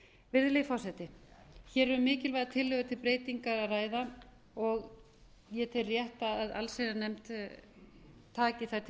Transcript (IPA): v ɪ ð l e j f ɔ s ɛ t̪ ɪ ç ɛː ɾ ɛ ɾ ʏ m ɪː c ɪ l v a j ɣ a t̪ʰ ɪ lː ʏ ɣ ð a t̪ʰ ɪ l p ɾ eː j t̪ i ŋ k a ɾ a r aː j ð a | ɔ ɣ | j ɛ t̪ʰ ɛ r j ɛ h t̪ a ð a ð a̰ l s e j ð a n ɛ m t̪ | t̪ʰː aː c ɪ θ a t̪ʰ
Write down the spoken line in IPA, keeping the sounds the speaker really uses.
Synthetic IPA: v ɪ ð l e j f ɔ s ɛ t̪ ɪ ç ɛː ɾ ɛ ɾ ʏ m ɪː c ɪ l v a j ð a t̪ʰ ɪ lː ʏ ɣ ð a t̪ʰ ɪ l p ɾ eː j t̪ i ŋ k a ɾ a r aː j ð a | ɔ ɣ | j ɛ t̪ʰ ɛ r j ɛ h t̪ a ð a ð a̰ l s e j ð a n ɛ m t̪ | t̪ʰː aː c ɪ θ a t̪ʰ